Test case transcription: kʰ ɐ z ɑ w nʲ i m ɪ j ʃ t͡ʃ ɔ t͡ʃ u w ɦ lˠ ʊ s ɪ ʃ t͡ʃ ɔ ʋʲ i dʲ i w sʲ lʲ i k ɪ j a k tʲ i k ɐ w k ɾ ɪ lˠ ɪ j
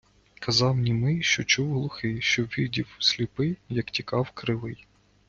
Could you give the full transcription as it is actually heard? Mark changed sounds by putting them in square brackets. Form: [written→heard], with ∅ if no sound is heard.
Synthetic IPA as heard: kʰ ɐ z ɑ w nʲ i m ɪ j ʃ t͡ʃ ɔ t͡ʃ u w ɦ lˠ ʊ [s→x] ɪ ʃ t͡ʃ ɔ ʋʲ i dʲ i w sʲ lʲ i [k→p] ɪ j [a→ɐ] k tʲ i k [ɐ→ɑ] w k ɾ ɪ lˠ ɪ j